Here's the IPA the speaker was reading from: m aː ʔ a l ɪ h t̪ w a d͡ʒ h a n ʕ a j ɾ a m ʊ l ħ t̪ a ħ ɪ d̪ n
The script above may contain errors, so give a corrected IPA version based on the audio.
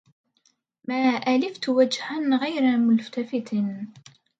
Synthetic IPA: m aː ʔ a l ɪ f t̪ w a d͡ʒ h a n ɣ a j ɾ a m ʊ l f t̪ a f ɪ t̪ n

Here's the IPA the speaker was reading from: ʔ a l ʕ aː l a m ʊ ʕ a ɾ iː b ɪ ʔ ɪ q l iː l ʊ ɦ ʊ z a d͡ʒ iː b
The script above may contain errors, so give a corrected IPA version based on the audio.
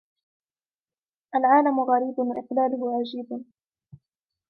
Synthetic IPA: ʔ a l ʕ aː l a m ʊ ɣ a ɾ iː b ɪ ʔ ɪ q l aː l ʊ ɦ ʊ ʕ a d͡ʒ iː b

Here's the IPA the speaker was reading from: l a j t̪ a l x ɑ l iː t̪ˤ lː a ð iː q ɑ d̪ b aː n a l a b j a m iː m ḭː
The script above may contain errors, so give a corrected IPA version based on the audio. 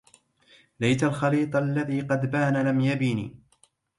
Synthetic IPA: l a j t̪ a l x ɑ l iː t̪ˤ lː a ð iː q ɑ d̪ b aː n a l a m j a b iː n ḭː

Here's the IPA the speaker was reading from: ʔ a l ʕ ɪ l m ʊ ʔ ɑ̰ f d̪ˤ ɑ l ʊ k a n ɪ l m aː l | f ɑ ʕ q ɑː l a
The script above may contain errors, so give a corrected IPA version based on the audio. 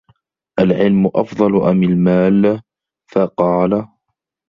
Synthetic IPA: ʔ a l ʕ ɪ l m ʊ ʔ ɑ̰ f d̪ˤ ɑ l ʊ ʔ a m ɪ l m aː l | f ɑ q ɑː l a

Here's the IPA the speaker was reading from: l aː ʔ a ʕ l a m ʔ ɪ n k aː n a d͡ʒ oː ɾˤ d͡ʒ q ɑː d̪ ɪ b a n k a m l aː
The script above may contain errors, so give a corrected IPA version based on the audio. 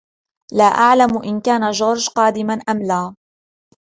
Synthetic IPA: l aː ʔ a ʕ l a m ʔ ɪ n k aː n a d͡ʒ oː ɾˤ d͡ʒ q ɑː d̪ ɪ m a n ʔ a m l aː

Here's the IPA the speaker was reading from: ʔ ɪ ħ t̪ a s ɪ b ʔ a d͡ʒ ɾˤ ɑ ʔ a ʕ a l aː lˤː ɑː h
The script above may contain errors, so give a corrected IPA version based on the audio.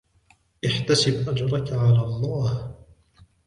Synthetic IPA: ʔ ɪ ħ t̪ a s ɪ b ʔ a d͡ʒ ɾˤ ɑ k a ʕ a l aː lˤː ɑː h

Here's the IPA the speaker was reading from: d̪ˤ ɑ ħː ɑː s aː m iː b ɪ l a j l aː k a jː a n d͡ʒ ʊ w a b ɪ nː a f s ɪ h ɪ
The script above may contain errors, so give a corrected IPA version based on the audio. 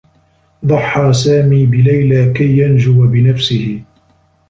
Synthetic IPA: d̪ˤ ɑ ħː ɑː s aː m iː b ɪ l a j l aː k a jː a n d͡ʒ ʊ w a b ɪ n a f s ɪ h ɪ

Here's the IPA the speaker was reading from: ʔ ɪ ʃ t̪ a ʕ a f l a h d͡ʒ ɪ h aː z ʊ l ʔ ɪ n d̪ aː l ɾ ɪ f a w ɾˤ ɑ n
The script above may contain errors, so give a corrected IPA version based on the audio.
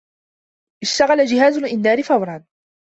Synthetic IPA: ʔ ɪ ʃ t̪ a ɣ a l a d͡ʒ ɪ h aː z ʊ l ʔ ɪ n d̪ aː ɾ ɪ f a w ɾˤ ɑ n

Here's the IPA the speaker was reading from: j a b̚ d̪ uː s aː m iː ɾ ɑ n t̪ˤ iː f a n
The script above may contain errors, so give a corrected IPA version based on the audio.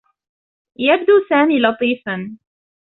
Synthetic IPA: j a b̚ d̪ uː s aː m iː l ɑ t̪ˤ iː f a n

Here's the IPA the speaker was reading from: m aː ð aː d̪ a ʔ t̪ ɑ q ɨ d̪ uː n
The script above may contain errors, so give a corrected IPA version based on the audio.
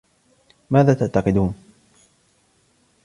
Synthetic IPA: m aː ð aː t̪ a ʔ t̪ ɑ q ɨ d̪ uː n

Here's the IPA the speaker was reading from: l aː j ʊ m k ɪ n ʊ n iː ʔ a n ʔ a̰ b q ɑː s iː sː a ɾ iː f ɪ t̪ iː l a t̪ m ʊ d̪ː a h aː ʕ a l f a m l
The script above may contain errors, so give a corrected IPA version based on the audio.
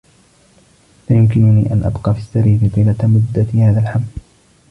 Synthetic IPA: l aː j ʊ m k ɪ n ʊ n iː ʔ a n ʔ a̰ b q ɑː f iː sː a ɾ iː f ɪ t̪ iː l a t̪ m ʊ d̪ː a h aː ð a l ħ a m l

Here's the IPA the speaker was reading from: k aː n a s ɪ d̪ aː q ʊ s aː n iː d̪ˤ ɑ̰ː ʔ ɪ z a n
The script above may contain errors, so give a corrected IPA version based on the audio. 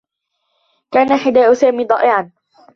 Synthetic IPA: k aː n a ħ ɪ d̪ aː ʔ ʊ s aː m iː d̪ˤ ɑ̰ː ʔ ɪ ʕ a n

